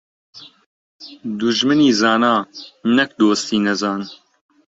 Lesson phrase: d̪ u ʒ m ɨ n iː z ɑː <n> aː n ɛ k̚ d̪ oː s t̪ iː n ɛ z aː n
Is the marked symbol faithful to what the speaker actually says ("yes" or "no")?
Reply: yes